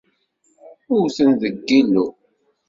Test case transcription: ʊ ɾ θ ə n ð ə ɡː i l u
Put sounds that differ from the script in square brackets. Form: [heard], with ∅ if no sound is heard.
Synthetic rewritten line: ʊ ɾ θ ə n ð ə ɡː i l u